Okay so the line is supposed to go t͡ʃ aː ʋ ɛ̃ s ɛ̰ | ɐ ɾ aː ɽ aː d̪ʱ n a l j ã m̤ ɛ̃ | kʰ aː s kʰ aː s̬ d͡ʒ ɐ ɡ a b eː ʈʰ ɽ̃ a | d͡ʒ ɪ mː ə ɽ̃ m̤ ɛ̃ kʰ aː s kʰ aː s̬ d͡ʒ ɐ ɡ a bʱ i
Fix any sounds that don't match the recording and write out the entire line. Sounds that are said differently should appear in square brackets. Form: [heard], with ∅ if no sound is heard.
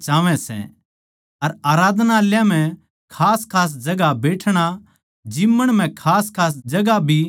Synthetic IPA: t͡ʃ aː ʋ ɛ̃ s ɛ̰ | ɐ ɾ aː [ɾ] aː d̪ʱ n a l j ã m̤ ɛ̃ | kʰ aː s kʰ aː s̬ d͡ʒ ɐ ɡ a b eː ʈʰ ɽ̃ a | d͡ʒ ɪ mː ə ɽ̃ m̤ ɛ̃ kʰ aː s kʰ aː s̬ d͡ʒ ɐ ɡ a bʱ i